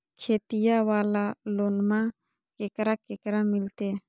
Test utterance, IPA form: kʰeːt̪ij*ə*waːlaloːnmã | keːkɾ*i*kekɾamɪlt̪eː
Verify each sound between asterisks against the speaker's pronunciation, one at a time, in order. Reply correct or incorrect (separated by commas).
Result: incorrect, incorrect